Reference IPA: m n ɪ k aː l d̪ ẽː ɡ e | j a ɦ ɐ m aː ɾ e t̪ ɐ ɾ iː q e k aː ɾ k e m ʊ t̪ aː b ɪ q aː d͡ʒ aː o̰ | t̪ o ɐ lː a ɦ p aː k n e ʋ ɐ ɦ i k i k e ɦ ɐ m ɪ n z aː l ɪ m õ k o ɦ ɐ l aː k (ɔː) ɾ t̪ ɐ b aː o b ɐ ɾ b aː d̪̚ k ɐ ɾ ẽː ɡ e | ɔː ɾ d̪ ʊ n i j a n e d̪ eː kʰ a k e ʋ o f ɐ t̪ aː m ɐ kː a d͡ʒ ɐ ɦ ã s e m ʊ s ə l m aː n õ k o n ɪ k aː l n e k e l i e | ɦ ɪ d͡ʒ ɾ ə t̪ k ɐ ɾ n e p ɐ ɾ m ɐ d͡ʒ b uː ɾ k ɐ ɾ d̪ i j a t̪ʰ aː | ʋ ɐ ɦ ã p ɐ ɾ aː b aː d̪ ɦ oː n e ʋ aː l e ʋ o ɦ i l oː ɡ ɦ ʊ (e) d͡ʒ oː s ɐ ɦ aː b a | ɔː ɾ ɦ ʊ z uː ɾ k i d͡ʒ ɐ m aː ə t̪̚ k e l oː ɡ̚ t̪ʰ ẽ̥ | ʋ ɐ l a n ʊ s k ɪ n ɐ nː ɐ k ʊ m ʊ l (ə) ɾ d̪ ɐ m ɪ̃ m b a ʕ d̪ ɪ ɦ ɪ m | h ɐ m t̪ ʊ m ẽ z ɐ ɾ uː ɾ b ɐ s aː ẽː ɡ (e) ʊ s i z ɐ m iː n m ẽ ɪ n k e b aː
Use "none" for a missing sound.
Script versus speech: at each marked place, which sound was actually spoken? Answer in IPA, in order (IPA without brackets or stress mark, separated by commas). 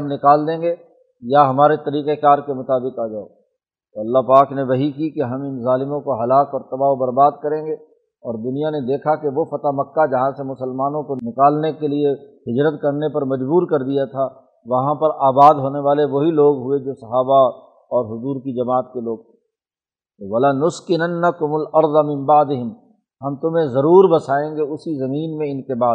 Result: ɔː, e, ɐ, e